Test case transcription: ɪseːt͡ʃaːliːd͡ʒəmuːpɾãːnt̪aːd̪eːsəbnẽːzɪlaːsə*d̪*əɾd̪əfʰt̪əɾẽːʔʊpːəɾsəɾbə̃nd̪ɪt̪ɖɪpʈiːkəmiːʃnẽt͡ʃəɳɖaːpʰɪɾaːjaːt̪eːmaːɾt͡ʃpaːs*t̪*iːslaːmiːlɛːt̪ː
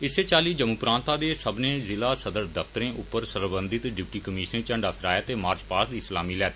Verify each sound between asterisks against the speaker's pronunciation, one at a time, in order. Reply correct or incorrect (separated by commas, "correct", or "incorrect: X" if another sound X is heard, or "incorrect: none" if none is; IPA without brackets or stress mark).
correct, incorrect: d̪